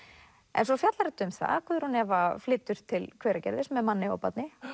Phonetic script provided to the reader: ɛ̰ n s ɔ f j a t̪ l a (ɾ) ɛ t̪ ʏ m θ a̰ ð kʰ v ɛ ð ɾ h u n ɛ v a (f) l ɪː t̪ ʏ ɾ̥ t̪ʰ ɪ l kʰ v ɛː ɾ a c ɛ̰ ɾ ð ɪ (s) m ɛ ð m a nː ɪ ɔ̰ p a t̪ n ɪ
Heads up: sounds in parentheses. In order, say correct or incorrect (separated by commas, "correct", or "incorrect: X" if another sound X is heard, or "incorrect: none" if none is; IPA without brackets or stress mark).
correct, correct, correct